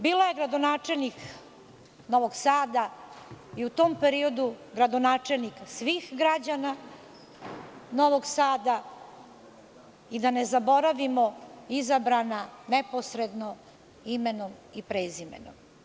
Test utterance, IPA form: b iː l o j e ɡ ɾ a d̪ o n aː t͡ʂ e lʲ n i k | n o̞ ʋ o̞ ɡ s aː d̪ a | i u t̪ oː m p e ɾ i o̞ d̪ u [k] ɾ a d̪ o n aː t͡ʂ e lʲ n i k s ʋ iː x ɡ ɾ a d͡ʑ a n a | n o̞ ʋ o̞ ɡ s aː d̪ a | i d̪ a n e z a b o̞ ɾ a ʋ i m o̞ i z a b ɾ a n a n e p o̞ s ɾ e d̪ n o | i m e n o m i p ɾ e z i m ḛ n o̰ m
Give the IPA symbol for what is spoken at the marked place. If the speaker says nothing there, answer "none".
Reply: ɡ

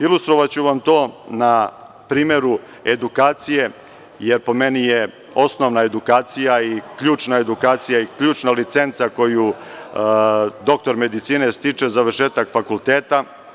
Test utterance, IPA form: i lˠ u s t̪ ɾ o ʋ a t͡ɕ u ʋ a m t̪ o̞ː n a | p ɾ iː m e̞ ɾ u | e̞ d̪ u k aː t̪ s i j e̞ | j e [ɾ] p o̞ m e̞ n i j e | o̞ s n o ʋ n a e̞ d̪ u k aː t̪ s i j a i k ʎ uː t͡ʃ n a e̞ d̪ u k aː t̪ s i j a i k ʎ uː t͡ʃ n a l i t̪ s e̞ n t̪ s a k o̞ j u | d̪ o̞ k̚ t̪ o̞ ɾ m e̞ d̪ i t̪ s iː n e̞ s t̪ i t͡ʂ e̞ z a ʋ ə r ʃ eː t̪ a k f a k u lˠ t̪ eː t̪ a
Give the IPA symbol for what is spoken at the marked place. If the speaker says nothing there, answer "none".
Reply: ɾ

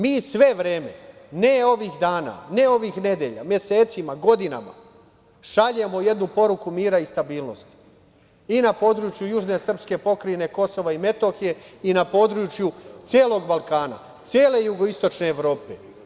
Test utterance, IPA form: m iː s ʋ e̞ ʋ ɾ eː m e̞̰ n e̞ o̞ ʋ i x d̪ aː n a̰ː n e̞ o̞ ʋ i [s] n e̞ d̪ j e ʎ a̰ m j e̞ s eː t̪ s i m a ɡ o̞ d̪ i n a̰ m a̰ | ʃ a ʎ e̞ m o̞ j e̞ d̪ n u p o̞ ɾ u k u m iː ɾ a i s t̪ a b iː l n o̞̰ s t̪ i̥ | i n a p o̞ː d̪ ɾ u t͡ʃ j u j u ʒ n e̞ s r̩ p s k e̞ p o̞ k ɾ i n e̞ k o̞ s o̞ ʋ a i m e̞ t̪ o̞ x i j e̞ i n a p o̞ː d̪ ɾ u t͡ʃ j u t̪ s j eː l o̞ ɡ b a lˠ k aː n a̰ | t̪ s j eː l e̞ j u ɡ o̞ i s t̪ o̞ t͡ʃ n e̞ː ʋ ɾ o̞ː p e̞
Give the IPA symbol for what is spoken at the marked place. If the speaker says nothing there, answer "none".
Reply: x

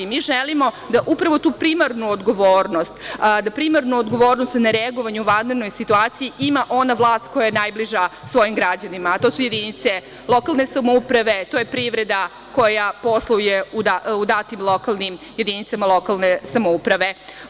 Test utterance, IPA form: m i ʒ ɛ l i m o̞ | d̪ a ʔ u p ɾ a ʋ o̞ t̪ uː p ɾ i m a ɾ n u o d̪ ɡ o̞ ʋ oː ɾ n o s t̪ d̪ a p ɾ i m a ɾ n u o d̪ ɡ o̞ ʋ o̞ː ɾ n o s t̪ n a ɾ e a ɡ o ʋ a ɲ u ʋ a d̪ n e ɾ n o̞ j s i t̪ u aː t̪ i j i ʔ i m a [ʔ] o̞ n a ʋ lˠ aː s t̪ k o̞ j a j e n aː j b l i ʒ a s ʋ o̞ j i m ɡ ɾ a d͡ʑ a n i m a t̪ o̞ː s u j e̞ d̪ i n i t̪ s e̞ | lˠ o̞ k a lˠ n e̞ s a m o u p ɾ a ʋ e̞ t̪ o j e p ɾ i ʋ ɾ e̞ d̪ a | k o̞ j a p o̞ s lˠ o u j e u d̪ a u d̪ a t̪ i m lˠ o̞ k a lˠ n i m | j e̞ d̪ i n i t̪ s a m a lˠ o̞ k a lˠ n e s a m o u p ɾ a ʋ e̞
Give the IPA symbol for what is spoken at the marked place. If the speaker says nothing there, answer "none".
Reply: ʔ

